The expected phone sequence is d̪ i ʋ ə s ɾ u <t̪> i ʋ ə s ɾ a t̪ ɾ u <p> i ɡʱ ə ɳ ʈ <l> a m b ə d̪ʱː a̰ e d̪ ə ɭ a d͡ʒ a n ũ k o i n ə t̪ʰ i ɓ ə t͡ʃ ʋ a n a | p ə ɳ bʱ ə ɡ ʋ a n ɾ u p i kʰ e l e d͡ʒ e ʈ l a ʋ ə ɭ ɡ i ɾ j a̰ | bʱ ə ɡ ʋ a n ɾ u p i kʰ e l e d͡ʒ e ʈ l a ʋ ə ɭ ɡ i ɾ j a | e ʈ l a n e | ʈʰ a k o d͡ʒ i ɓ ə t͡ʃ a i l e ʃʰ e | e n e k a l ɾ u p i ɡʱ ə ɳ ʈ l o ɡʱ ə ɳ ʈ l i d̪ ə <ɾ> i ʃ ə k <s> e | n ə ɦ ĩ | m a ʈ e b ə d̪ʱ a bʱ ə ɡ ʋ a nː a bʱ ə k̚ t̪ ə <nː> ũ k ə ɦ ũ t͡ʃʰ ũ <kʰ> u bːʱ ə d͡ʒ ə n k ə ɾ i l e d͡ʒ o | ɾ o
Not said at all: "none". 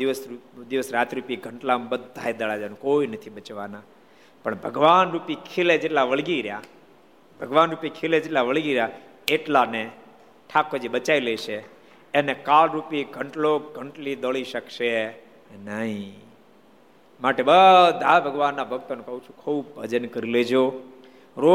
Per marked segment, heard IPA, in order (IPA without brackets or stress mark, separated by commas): d̪, p, l, ɭ, ʃ, n, kʰ